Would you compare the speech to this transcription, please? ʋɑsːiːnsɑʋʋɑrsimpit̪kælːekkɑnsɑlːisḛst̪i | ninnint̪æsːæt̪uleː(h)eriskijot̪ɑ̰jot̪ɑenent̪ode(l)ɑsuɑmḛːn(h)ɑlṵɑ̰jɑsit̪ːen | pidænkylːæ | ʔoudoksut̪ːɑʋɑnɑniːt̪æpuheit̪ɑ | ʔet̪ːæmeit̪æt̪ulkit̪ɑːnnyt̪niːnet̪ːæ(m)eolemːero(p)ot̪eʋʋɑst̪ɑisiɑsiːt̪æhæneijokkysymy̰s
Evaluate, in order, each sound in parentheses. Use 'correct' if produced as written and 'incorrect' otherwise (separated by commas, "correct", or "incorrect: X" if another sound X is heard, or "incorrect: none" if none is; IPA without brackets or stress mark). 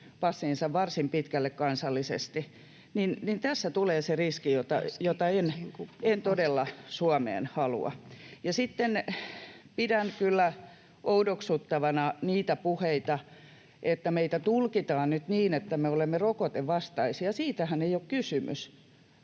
incorrect: s, incorrect: lː, correct, correct, incorrect: k